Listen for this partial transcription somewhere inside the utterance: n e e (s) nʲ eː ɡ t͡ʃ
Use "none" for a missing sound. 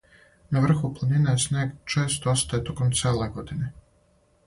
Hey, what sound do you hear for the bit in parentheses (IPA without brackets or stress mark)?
s